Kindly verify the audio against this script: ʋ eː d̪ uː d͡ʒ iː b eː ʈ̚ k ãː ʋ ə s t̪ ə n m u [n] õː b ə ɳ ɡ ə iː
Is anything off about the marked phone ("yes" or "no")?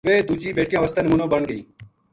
no